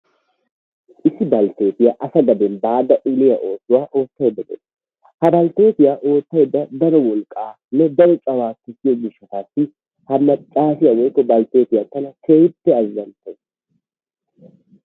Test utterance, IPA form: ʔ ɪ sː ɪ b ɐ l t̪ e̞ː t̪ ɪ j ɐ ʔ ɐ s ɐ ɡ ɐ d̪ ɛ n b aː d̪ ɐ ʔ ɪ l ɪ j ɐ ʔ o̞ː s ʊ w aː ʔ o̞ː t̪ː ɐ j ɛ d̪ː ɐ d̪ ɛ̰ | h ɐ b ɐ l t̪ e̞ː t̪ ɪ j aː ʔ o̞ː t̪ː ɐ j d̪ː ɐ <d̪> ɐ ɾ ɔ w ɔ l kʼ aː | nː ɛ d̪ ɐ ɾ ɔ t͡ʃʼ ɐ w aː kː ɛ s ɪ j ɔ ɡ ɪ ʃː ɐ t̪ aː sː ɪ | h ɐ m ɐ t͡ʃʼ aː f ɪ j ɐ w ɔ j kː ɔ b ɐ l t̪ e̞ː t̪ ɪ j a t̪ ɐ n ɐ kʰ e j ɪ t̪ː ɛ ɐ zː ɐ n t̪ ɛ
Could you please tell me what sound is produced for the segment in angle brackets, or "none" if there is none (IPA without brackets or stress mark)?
d̪